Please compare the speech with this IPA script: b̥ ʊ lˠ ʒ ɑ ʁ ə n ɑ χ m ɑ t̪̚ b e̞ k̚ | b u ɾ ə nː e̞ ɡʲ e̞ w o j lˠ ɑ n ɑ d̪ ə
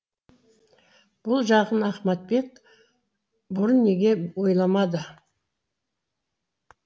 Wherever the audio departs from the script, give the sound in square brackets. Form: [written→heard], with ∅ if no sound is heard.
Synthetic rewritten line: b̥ ʊ lˠ ʒ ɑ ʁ ə n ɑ χ m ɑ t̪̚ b e̞ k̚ | b [u→ʊ] ɾ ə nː e̞ ɡʲ e̞ w o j lˠ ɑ [n→m] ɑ d̪ ə